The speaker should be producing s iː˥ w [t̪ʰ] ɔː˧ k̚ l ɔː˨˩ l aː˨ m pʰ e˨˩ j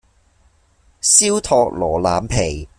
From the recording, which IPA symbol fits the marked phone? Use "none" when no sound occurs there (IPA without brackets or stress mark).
t̪ʰ